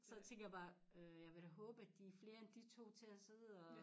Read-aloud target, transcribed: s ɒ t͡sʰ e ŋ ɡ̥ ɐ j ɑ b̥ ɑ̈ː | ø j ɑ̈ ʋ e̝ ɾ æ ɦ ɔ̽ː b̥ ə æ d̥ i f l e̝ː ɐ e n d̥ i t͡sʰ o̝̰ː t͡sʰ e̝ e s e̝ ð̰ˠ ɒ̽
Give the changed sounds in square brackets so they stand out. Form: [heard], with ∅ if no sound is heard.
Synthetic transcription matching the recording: s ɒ t͡sʰ e ŋ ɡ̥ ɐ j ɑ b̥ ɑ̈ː | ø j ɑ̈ ʋ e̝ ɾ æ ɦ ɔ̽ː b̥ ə æ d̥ i f l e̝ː ɐ e n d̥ i t͡sʰ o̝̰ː t͡sʰ e̝ [æ] s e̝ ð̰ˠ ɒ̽